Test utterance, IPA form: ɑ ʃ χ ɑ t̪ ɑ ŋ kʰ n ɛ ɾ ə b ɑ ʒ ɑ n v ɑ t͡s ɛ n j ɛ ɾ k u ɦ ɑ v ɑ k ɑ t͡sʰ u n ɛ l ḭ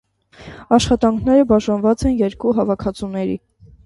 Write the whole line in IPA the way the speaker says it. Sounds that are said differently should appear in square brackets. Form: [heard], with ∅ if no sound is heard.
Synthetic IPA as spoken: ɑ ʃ χ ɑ t̪ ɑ ŋ kʰ n ɛ ɾ ə b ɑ ʒ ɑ n v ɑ t͡s ɛ n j ɛ ɾ k u ɦ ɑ v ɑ [kʰ] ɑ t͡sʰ u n ɛ [ɾ] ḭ